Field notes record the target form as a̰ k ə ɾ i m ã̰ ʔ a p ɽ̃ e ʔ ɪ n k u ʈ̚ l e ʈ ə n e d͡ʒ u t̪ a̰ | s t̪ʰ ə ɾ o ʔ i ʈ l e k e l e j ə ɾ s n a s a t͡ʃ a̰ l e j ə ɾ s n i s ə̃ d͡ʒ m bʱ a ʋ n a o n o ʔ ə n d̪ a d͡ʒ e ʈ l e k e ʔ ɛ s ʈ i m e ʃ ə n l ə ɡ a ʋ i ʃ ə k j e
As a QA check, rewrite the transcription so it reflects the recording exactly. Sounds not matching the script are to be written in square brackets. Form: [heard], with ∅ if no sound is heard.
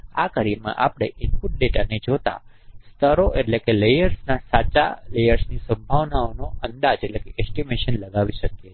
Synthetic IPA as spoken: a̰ k ə ɾ i m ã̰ ʔ a p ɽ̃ e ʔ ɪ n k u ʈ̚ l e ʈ ə n e d͡ʒ [o] t̪ a̰ | s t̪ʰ ə ɾ o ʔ [e] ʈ l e k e l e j ə ɾ s n a s a t͡ʃ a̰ l e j ə ɾ s n i s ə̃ [∅] m bʱ a ʋ n a o n o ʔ ə n d̪ a d͡ʒ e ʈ l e k e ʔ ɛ s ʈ i m e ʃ ə n l ə ɡ a ʋ i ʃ ə k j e